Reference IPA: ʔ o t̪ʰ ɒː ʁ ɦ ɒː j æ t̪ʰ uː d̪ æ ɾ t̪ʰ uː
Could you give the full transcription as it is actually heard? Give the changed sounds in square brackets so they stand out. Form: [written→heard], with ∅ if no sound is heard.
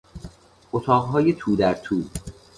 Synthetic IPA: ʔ o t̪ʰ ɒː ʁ ɦ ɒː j [æ→e] t̪ʰ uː d̪ æ ɾ t̪ʰ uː